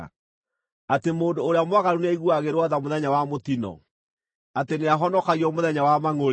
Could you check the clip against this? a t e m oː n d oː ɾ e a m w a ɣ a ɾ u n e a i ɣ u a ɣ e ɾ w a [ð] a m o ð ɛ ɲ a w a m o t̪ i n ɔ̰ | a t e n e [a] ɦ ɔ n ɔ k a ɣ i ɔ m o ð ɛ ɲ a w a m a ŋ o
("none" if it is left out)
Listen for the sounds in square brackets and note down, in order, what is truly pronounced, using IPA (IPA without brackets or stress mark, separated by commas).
ð, a